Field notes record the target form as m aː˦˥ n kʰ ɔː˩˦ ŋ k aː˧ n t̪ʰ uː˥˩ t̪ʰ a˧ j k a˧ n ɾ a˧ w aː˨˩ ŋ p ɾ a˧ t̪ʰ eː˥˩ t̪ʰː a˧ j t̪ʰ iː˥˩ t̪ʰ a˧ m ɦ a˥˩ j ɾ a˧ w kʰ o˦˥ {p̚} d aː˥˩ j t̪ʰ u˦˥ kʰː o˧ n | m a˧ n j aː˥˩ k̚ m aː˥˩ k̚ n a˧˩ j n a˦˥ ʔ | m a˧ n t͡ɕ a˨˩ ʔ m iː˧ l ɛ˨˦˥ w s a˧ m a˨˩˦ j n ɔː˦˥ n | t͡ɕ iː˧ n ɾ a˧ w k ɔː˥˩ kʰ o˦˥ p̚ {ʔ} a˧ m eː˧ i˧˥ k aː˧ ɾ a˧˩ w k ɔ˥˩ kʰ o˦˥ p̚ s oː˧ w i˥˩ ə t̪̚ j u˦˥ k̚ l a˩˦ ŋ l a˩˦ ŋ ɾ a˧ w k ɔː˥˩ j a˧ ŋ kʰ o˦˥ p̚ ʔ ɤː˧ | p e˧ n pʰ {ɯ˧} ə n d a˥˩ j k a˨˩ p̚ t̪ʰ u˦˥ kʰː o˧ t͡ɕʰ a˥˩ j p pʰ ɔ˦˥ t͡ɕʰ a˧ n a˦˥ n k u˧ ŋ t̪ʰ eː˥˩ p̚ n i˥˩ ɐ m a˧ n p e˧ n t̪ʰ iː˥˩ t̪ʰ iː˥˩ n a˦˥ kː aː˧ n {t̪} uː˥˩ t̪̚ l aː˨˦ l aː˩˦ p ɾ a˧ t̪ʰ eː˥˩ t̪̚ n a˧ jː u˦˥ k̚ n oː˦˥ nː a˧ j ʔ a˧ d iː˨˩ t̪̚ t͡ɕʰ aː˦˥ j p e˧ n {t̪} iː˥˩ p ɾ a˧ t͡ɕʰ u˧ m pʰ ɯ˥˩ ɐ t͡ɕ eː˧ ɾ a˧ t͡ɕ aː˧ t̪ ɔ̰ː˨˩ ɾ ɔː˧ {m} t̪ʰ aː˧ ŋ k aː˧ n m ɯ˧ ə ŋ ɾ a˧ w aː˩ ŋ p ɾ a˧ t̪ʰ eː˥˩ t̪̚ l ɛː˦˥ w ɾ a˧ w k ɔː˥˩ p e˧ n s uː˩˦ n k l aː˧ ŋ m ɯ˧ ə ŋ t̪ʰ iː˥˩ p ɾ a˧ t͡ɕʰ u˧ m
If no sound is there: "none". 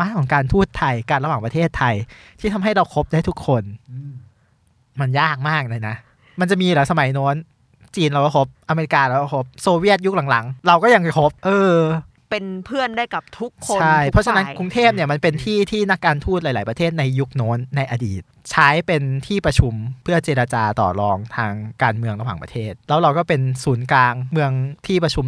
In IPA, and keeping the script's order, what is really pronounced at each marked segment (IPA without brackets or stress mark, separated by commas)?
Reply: p̚, ʔ, ɯ˥˩, t̪ʰ, t̪ʰ, ŋ